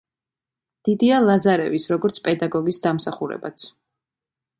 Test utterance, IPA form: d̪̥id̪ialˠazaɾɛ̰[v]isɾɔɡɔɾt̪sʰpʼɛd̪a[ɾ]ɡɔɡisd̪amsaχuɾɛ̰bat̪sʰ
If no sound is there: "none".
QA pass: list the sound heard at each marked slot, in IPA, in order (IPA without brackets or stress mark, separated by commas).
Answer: v, none